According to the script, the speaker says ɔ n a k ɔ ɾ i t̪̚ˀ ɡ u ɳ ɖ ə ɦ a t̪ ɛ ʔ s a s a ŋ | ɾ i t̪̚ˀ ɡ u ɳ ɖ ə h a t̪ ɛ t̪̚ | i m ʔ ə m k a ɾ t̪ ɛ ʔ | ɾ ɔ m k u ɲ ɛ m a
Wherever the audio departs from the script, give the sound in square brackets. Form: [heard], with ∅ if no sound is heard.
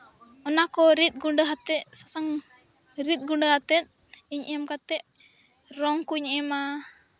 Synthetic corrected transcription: ɔ n a k ɔ ɾ i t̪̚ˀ ɡ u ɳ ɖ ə ɦ a t̪ ɛ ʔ s a s a ŋ | ɾ i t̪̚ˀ ɡ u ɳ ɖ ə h a t̪ ɛ t̪̚ | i [ɲ] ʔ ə m k a [∅] t̪ ɛ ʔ | ɾ ɔ [ŋ] k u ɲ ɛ m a